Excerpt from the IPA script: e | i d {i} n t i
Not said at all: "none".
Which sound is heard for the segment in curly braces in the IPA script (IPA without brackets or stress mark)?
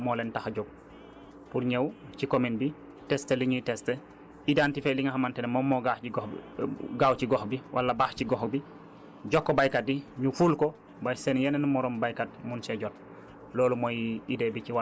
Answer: a